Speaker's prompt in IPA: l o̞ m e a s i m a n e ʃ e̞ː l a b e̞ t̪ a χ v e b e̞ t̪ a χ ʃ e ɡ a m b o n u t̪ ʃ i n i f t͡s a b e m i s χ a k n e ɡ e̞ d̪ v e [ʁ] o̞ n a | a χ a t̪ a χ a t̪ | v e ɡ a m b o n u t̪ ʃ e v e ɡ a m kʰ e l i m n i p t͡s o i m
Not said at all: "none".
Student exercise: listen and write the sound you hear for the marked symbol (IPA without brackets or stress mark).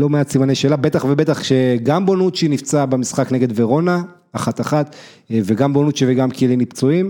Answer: ʁ